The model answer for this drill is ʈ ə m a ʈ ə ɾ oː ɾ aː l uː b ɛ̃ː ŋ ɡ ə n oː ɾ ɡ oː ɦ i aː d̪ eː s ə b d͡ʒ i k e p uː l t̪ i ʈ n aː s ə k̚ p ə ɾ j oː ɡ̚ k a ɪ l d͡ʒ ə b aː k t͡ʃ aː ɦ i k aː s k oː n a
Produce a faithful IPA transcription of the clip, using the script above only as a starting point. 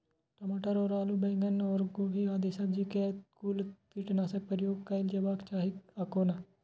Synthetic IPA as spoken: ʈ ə m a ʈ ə ɾ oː ɾ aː l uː b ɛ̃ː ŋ ɡ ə n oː ɾ ɡ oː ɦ i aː d̪ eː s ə b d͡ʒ i k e k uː l t̪ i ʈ n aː s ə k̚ p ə ɾ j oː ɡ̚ k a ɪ l d͡ʒ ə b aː k t͡ʃ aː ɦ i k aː k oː n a